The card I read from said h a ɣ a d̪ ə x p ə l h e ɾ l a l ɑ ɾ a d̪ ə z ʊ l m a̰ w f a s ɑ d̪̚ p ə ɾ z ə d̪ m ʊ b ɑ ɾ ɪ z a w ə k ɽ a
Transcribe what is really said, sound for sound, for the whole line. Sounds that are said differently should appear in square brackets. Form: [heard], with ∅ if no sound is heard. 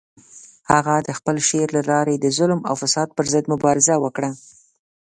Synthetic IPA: h a ɣ a d̪ ə x p ə l [ʃ] e ɾ l a l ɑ ɾ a d̪ ə z ʊ l m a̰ w f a s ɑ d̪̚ p ə ɾ z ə d̪ m ʊ b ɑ ɾ ɪ z a w ə k ɽ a